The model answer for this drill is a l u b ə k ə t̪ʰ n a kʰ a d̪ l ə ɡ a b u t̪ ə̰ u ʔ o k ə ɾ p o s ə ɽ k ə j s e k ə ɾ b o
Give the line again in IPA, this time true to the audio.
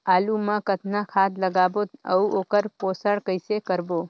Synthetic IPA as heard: a l u m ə k ə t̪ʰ n a kʰ a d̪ l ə ɡ a b o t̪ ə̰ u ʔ o k ə ɾ p o s ə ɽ k ə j s e k ə ɾ b o